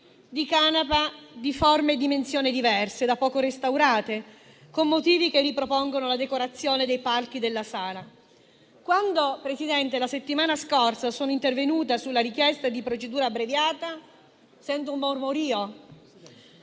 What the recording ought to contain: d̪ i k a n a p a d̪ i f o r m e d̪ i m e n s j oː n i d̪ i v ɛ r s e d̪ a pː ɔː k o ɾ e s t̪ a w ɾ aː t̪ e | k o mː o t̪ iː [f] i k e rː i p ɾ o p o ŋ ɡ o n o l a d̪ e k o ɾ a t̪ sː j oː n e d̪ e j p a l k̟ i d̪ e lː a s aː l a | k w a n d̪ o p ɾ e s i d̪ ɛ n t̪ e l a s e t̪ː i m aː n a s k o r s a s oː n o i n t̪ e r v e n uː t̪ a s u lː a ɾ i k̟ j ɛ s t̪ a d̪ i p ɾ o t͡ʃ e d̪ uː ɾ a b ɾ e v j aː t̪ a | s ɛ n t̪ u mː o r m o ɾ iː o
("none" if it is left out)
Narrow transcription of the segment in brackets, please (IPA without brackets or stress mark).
v